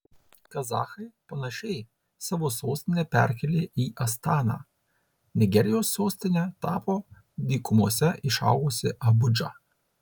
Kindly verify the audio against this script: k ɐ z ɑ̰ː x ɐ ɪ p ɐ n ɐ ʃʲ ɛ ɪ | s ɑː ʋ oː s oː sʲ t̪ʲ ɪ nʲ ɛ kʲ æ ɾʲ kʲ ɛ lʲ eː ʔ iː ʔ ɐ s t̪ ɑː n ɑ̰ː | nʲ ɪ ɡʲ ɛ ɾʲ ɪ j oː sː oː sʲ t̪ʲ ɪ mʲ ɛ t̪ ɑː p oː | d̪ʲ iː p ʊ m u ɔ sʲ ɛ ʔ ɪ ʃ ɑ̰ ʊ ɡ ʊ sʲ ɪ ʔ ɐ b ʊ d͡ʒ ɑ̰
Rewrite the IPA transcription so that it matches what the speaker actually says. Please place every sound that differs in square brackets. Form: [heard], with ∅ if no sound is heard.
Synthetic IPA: k ɐ z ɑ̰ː x ɐ ɪ p ɐ n ɐ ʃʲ ɛ ɪ | s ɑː ʋ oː s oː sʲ t̪ʲ ɪ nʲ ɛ [pʲ] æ ɾʲ kʲ ɛ lʲ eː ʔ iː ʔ ɐ s t̪ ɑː n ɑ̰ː | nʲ ɪ ɡʲ ɛ ɾʲ ɪ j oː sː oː sʲ t̪ʲ ɪ [nʲ] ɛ t̪ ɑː p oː | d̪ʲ iː [k] ʊ m u ɔ sʲ ɛ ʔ ɪ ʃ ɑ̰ ʊ ɡ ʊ sʲ ɪ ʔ ɐ b ʊ d͡ʒ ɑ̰